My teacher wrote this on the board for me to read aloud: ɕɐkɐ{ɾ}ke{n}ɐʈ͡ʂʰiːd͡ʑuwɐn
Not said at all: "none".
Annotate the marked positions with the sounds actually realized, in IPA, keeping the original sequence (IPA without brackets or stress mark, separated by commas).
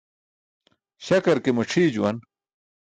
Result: ɾ, m